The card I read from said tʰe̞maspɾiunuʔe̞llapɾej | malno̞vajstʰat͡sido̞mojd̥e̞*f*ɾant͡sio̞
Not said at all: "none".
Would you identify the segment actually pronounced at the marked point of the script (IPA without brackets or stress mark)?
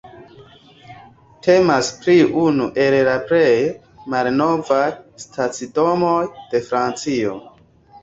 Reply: f